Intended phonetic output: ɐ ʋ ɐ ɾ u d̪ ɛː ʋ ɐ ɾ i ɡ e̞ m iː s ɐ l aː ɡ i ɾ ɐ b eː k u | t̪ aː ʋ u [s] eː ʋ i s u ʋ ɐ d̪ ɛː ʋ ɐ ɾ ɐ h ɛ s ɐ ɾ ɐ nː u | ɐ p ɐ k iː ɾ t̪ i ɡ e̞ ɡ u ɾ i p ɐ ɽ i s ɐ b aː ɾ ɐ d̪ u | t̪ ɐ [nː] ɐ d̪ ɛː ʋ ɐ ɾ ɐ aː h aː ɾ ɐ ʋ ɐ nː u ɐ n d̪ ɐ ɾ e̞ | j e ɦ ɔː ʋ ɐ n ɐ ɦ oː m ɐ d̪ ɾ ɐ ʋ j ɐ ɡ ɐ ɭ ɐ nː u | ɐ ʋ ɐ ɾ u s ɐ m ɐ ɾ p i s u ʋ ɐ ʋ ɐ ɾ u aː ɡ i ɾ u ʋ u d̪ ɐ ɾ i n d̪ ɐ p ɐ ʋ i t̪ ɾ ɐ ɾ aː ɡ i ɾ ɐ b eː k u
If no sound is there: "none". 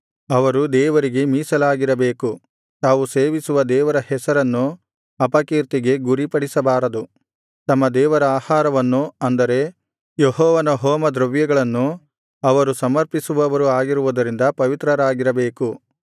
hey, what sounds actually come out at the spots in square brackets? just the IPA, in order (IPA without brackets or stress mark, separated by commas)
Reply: s, mː